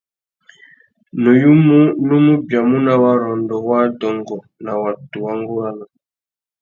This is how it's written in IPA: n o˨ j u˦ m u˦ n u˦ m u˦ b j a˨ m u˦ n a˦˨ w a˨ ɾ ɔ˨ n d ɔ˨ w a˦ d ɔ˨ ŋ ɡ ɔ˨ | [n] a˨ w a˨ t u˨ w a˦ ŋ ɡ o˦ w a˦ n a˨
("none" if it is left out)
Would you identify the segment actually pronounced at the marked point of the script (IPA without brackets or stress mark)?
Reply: n